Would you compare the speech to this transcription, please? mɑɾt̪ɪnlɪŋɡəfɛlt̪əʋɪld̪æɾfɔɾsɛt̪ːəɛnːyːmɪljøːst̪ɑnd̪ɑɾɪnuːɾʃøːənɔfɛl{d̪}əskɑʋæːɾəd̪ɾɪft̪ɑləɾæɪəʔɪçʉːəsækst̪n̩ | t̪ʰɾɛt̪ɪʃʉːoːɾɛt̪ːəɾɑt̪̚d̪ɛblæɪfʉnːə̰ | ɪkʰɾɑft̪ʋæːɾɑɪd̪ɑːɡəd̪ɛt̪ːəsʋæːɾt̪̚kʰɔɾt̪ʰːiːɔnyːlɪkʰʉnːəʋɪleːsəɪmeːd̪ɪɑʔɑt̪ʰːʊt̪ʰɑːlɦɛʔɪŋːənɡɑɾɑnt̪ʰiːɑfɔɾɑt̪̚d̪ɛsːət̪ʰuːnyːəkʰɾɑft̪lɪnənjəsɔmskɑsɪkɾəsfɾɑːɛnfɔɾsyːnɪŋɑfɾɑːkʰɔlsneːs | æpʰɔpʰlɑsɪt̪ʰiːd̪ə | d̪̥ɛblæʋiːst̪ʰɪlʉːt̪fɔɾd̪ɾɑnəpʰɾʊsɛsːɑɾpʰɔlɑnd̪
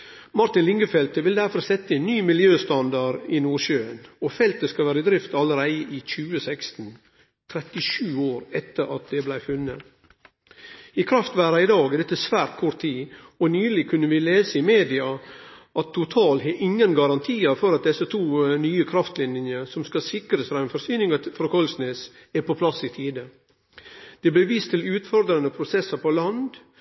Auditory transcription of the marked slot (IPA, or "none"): t̪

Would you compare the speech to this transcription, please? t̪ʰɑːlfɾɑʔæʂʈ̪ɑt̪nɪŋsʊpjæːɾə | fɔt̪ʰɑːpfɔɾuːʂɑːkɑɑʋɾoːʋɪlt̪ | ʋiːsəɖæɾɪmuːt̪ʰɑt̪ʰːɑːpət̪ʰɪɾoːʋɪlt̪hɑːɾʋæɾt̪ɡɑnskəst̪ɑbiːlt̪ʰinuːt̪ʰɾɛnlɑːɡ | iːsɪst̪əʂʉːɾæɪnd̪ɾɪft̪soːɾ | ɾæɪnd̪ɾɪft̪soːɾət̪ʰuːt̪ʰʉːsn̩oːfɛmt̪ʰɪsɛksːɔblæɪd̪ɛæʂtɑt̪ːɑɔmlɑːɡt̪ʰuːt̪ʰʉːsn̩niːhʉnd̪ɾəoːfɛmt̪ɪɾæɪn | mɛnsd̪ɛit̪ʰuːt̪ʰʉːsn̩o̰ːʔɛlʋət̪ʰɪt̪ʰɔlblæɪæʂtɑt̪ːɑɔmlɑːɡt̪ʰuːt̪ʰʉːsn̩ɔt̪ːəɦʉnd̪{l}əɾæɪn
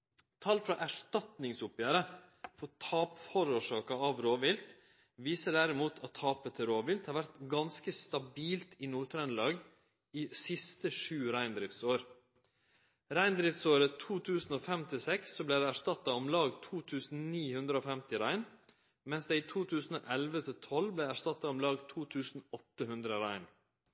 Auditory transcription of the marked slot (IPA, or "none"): ɾ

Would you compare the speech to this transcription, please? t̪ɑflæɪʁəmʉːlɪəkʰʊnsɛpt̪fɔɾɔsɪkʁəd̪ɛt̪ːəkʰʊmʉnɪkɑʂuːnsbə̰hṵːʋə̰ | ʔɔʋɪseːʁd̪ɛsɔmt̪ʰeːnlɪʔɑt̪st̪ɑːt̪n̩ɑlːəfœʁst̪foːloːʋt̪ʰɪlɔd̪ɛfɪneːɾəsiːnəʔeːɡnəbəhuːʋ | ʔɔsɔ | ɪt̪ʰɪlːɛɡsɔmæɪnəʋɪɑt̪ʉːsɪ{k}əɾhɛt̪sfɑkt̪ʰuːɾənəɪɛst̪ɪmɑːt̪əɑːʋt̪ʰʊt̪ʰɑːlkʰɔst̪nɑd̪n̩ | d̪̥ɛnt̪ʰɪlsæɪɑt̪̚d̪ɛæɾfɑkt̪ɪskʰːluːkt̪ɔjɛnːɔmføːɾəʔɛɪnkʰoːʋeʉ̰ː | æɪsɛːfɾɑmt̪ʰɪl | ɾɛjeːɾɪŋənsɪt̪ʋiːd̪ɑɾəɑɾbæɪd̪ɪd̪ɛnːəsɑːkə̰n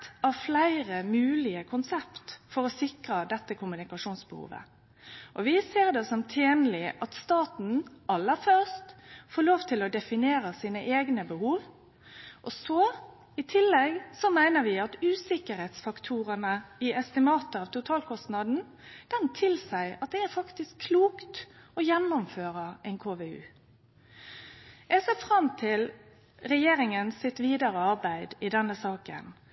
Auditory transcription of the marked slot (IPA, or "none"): k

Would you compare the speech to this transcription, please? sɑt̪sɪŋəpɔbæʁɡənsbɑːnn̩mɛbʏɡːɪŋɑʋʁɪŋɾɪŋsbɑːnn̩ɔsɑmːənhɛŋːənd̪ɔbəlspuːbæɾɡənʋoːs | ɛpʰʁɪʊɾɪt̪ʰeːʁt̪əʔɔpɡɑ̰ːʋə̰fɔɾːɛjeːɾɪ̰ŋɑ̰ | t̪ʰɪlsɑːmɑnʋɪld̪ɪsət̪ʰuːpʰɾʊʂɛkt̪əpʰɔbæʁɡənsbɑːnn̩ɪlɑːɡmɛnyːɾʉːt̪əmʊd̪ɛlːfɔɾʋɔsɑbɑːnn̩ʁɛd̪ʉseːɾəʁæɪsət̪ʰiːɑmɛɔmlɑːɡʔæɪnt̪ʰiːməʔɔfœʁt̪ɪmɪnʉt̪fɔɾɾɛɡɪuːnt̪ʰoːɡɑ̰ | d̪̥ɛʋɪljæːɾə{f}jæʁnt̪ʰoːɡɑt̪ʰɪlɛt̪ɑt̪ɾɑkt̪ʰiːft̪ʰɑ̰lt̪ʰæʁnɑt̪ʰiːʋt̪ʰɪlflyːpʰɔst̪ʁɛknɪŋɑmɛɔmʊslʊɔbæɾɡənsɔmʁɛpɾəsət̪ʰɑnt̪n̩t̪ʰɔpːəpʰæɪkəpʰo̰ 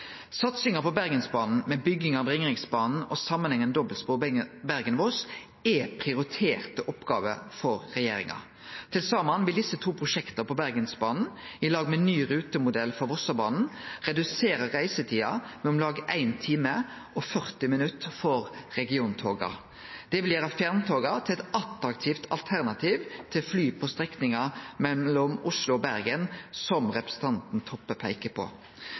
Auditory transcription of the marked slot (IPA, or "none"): f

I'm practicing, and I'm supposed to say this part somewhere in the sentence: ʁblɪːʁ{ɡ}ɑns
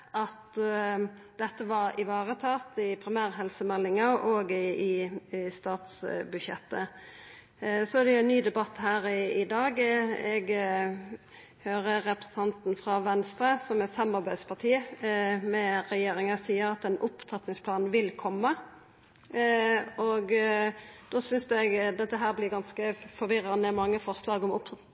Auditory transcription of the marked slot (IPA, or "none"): ɡ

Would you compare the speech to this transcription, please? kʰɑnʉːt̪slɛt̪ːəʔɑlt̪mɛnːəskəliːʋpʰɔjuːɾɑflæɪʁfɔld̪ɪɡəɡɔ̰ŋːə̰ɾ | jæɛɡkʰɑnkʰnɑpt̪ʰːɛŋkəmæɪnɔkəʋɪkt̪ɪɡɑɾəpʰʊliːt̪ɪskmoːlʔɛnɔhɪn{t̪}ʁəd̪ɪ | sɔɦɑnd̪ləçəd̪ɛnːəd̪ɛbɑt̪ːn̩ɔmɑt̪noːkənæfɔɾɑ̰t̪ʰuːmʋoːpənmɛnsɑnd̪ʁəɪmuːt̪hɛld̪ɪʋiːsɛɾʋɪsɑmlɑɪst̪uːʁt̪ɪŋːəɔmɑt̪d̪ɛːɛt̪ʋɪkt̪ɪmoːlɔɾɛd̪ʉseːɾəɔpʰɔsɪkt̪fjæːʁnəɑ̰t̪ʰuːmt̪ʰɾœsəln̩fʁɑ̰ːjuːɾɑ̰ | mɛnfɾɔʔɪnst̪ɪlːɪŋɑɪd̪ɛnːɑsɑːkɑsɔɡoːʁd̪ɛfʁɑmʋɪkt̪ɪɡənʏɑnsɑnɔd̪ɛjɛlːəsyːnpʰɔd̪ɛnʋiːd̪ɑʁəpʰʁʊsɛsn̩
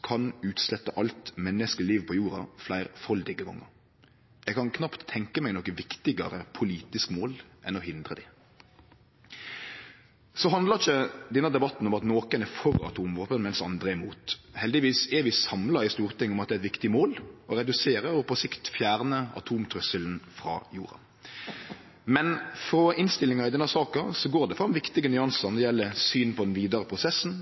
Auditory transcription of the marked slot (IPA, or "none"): d̪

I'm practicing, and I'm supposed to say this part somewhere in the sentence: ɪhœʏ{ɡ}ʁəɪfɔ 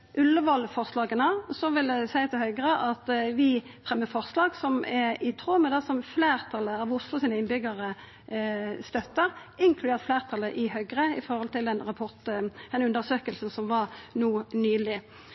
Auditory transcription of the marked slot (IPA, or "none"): ɡ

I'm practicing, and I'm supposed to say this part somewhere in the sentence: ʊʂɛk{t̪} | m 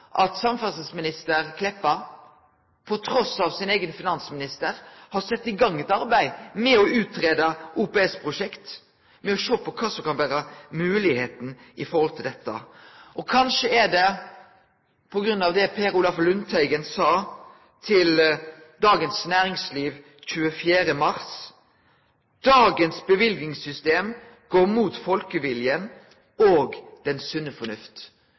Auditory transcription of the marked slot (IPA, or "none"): t̪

